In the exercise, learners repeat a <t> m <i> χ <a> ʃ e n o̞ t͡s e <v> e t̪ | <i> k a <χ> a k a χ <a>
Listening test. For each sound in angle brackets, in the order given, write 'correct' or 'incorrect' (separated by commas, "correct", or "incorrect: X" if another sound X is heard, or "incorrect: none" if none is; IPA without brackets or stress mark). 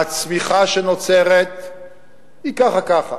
incorrect: t͡s, correct, correct, incorrect: ʁ, correct, correct, correct